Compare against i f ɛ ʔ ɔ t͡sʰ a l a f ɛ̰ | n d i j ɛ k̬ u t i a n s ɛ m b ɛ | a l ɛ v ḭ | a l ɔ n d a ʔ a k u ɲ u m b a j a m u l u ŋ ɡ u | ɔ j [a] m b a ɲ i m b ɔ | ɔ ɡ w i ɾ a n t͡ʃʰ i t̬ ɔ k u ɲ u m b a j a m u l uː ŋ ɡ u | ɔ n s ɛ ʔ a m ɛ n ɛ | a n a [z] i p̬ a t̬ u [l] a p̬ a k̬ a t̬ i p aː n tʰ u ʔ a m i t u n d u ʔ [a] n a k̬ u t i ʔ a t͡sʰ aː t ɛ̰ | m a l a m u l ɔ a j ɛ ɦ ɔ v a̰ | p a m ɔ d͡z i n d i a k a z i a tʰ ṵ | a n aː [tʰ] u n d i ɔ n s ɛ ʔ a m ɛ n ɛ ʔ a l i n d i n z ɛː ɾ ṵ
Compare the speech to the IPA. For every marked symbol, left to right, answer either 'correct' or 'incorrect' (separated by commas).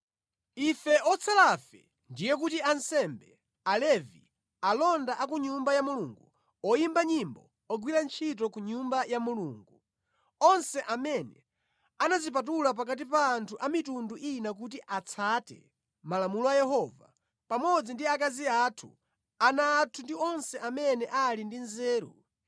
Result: incorrect, correct, correct, incorrect, correct